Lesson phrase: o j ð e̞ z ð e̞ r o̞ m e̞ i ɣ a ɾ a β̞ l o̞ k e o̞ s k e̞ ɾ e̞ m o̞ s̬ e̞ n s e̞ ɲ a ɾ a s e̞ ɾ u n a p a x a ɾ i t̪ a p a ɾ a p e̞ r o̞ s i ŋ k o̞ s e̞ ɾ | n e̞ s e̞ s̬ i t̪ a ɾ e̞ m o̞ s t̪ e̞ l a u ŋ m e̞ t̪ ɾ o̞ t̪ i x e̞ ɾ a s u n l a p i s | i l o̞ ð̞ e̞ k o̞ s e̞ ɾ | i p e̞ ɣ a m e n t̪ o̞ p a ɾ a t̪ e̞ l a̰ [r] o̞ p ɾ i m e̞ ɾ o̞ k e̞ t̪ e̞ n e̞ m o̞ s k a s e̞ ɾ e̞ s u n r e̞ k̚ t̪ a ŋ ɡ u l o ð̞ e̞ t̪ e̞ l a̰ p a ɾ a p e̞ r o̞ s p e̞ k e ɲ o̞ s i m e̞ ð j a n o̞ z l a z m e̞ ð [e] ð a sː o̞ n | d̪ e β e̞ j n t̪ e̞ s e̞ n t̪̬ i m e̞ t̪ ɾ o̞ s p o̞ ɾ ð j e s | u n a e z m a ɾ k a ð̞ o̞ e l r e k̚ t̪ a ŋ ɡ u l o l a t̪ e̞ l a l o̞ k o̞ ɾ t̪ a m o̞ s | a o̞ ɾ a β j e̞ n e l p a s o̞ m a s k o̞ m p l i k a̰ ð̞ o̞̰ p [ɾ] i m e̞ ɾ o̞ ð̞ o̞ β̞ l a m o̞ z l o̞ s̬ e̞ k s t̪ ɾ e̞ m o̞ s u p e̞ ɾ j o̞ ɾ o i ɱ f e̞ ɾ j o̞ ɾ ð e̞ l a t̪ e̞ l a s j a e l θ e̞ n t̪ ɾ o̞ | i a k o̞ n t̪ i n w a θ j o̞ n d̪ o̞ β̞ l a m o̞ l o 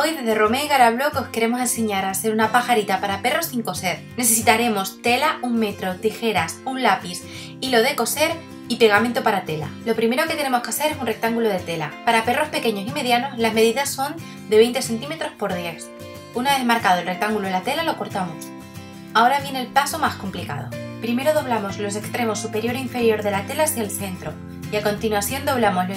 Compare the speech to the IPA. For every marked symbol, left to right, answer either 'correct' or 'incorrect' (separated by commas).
incorrect, incorrect, correct